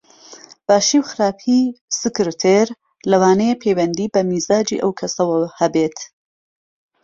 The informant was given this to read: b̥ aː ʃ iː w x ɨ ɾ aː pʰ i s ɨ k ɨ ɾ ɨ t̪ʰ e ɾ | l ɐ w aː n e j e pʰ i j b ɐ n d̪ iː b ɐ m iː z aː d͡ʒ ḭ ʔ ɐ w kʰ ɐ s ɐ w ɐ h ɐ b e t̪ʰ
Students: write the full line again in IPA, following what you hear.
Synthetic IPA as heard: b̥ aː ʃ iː w x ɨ ɾ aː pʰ i s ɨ k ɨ ɾ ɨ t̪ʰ e ɾ | l ɐ w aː n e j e pʰ e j w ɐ n d̪ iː b ɐ m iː z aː d͡ʒ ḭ ʔ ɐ w kʰ ɐ s ɐ w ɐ h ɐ b e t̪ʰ